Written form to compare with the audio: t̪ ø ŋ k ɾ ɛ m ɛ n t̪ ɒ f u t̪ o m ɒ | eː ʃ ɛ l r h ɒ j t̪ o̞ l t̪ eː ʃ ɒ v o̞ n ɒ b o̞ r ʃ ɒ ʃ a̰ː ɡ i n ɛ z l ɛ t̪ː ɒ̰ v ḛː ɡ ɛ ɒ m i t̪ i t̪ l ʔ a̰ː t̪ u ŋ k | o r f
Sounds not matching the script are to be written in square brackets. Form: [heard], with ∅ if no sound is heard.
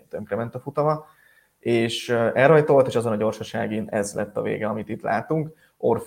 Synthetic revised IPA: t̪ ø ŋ k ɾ ɛ m ɛ n t̪ ɒ f u t̪ [ɒ] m ɒ | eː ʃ ɛ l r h ɒ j t̪ o̞ l t̪ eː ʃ ɒ [z] o̞ n ɒ [ɟ] o̞ r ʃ ɒ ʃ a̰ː ɡ i n ɛ z l ɛ t̪ː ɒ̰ v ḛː ɡ ɛ ɒ m i t̪ i t̪ l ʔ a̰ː t̪ u ŋ k | o r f